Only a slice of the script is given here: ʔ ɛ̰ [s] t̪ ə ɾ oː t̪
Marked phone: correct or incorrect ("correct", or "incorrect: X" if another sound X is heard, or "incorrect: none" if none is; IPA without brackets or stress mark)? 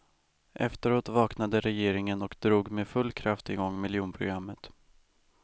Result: incorrect: f